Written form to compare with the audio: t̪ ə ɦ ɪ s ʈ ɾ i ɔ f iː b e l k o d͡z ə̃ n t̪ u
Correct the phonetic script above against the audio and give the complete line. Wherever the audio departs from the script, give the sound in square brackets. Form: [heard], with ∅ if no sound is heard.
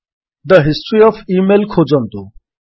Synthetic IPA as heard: [d̪] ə ɦ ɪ s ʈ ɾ i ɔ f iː [m] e l [kʰ] o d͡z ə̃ n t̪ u